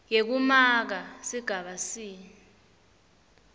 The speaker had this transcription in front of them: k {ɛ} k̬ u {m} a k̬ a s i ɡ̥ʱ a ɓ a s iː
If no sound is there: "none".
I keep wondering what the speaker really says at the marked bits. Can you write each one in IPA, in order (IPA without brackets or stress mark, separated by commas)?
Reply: e, m